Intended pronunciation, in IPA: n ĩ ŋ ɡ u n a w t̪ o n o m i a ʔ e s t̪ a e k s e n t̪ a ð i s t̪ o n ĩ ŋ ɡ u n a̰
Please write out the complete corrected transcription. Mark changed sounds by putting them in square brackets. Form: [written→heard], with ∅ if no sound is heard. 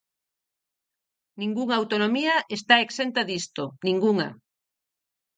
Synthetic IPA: n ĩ ŋ ɡ u [n→ŋ] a w t̪ o n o m i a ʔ e s t̪ a e k s e n t̪ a ð i s t̪ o n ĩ ŋ ɡ u [n→ŋ] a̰